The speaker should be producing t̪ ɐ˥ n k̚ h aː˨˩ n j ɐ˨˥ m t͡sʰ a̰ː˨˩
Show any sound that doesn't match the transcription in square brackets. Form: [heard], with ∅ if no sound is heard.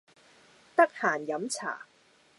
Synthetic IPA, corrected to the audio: t̪ ɐ˥ [∅] k̚ h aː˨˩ n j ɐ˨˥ m t͡sʰ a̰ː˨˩

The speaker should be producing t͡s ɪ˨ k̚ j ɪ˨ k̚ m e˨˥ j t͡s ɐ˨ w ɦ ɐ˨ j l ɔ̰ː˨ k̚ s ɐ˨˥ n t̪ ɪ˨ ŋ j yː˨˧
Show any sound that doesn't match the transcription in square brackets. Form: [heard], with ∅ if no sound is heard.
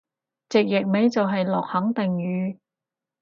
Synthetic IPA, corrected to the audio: t͡s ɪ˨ k̚ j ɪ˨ k̚ m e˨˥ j t͡s ɐ˨ w ɦ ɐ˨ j l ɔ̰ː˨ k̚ [h] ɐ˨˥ [ŋ] t̪ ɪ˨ ŋ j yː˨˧

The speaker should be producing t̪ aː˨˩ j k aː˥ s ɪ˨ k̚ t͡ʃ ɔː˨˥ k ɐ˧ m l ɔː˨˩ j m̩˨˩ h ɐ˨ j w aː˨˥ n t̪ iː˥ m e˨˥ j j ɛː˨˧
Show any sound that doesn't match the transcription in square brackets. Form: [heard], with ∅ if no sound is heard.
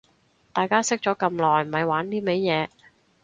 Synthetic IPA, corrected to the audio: t̪ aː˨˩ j k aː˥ s [ɪ˥] k̚ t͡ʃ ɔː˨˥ k ɐ˧ m l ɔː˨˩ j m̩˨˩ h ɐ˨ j w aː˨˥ n t̪ iː˥ m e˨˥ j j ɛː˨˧

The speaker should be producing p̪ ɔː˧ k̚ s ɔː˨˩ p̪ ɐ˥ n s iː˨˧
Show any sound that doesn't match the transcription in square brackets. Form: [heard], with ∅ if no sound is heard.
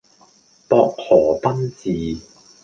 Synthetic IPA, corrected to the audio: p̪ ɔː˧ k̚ [h] ɔː˨˩ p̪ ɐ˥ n [t͡s] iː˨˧

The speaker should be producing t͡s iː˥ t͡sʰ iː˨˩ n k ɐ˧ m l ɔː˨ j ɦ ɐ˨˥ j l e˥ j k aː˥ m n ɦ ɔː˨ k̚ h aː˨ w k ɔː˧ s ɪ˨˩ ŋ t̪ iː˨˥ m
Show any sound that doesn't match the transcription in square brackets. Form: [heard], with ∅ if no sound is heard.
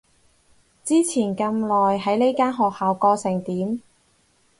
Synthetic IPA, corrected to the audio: t͡s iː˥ t͡sʰ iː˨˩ n k ɐ˧ m l ɔː˨ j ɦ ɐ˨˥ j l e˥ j k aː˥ [∅] n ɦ ɔː˨ k̚ h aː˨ w k ɔː˧ s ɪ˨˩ ŋ t̪ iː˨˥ m

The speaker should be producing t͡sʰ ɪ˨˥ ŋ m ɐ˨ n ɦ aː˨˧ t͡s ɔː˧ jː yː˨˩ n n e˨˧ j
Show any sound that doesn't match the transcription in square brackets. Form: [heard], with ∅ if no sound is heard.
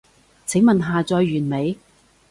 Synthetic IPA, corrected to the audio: t͡sʰ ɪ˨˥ ŋ m ɐ˨ n ɦ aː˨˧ t͡s ɔː˧ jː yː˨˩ n [m] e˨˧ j

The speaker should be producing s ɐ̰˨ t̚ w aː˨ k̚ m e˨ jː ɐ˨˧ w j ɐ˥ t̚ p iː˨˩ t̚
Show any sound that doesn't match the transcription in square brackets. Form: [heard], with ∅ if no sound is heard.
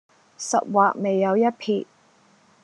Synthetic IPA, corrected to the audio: s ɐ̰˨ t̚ w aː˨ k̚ m e˨ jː ɐ˨˧ w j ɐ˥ t̚ [pʰ] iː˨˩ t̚

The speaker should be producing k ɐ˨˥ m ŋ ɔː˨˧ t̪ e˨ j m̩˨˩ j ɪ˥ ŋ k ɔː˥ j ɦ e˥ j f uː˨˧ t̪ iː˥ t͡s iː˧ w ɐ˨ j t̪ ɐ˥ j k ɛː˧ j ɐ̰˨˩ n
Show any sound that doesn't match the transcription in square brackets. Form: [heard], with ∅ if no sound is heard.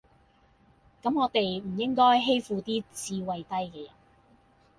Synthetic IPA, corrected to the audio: k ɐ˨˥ m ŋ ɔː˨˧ t̪ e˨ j m̩˨˩ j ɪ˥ ŋ k ɔː˥ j ɦ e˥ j f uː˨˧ t̪ iː˥ t͡s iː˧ w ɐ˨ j t̪ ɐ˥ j k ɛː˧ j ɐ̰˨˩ n

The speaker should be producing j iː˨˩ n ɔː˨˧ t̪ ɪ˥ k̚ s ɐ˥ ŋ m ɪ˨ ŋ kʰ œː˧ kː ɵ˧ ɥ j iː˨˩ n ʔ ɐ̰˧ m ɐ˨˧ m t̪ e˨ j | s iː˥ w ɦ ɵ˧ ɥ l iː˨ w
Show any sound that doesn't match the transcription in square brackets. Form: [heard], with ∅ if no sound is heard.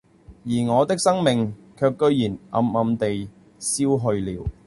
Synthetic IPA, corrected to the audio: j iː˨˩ [ŋ] ɔː˨˧ t̪ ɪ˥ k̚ s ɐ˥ ŋ m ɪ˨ ŋ kʰ œː˧ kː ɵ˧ ɥ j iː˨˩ n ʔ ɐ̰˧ m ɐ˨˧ m t̪ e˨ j | s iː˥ w ɦ ɵ˧ ɥ l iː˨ w

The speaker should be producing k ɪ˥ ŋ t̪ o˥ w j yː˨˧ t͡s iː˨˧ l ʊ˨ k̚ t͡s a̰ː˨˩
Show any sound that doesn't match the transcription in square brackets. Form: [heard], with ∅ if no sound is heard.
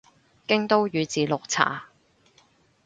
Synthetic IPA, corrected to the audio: k ɪ˥ ŋ t̪ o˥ w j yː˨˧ t͡s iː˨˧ l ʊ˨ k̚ [t͡sʰ] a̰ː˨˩

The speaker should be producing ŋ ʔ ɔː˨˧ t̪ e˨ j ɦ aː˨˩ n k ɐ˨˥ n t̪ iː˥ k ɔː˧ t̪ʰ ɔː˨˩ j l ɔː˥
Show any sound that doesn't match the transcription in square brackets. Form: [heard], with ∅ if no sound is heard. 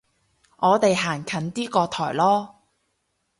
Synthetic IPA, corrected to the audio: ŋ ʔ ɔː˨˧ t̪ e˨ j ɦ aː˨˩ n [kʰ] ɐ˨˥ n t̪ iː˥ k ɔː˧ t̪ʰ ɔː˨˩ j l ɔː˥

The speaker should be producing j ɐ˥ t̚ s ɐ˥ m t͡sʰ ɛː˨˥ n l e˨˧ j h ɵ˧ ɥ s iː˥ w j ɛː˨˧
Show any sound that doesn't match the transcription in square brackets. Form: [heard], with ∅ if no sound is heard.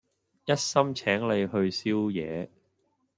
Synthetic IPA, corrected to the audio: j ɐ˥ t̚ s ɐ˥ m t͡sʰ ɛː˨˥ [ŋ] l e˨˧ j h ɵ˧ ɥ s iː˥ w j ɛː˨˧

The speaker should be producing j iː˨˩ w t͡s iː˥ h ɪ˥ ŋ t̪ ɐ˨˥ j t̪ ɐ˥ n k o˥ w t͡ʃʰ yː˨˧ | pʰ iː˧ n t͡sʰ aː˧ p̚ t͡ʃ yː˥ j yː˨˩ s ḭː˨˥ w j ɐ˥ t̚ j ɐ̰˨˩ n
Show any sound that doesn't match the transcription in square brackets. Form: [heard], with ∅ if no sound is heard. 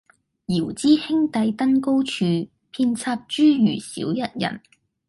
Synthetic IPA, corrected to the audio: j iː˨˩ w t͡s iː˥ h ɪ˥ ŋ t̪ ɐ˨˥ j t̪ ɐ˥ n k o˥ w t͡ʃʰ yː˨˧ | pʰ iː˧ n t͡sʰ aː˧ p̚ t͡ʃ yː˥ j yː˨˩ s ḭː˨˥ w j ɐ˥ t̚ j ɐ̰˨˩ n

